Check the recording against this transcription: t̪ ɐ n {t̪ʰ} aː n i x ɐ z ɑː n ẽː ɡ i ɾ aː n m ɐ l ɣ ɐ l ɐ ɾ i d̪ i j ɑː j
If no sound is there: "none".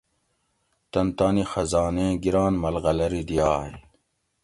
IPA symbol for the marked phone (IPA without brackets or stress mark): t̪